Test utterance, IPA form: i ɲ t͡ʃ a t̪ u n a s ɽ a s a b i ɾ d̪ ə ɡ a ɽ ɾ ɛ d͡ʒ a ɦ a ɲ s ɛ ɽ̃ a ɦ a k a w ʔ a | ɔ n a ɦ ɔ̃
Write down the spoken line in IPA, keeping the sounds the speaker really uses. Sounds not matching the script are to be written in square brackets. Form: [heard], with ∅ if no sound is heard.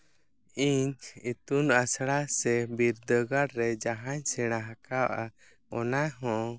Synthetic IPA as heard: i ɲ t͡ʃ [i] t̪ u n a s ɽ a s [ɛ] b i ɾ d̪ ə ɡ a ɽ ɾ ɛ d͡ʒ a ɦ a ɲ s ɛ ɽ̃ a ɦ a k a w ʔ a | ɔ n a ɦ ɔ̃